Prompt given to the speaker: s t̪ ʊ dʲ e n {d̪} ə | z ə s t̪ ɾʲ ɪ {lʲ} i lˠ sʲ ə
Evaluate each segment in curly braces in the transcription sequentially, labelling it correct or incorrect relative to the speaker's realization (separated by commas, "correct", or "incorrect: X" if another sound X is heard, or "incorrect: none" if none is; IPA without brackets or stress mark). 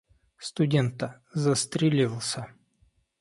incorrect: t̪, correct